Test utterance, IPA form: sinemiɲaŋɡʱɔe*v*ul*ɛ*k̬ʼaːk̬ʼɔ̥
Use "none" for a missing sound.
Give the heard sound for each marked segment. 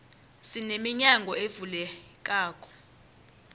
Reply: v, ɛ

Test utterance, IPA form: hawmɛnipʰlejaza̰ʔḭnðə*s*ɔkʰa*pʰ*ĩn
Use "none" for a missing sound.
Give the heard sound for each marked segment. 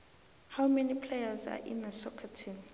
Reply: s, tʰ

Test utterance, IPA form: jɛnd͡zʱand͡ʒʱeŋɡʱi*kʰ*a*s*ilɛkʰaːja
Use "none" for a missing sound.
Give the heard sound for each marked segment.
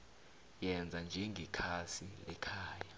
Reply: kʰ, s

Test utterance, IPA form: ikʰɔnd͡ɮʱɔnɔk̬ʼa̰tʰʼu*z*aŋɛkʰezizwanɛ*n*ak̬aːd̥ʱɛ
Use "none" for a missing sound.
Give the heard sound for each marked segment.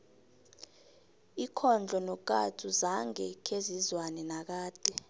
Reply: z, n

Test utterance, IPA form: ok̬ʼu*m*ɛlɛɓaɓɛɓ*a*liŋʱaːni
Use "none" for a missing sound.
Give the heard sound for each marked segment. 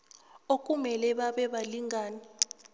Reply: m, a

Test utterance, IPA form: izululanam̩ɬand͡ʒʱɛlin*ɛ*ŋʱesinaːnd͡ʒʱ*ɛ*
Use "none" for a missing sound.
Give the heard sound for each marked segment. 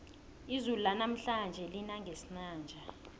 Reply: a, a

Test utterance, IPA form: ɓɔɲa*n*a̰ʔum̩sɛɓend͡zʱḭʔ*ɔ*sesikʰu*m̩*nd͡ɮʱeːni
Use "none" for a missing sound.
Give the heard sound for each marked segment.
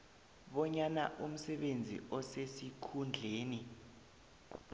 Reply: n, ɔ, none

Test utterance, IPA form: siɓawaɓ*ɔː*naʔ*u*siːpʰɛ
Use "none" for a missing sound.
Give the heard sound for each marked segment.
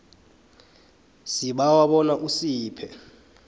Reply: ɔ, u

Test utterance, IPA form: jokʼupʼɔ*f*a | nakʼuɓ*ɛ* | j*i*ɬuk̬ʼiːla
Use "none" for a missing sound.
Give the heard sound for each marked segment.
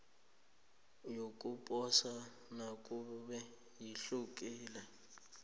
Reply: s, ɛ, i

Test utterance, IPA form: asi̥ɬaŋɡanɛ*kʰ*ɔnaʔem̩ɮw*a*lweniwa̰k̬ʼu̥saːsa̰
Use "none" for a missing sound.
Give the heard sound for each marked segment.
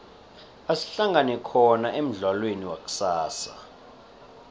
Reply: kʰ, a

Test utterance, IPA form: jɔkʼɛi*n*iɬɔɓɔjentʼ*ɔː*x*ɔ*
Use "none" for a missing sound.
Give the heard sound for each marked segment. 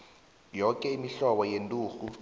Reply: m, uː, u

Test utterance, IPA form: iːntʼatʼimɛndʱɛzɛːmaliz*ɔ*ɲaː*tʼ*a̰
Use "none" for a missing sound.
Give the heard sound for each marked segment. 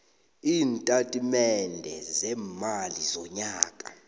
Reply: ɔ, kʼ

